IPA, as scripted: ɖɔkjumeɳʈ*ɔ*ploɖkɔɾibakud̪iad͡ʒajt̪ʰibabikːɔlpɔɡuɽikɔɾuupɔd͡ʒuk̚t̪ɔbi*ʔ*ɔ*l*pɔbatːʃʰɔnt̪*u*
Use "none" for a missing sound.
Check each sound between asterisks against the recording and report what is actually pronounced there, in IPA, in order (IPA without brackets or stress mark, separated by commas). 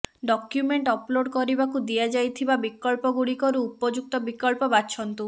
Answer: ɔ, k, l, u